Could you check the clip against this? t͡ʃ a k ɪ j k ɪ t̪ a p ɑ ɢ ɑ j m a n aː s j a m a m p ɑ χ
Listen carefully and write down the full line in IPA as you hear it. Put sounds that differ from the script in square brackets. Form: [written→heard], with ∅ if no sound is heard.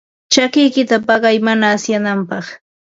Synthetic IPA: t͡ʃ a k ɪ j k ɪ t̪ a p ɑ ɢ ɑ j m a n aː s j a [m→n] a m p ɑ χ